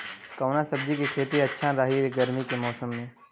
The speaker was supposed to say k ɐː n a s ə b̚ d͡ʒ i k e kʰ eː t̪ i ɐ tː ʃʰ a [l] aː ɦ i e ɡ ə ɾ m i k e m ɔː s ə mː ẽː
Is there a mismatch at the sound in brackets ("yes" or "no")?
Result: yes